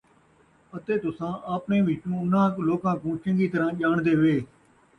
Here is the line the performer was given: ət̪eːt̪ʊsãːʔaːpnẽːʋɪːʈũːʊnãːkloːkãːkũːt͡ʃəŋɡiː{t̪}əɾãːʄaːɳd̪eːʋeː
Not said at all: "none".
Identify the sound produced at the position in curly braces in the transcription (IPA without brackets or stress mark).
t̪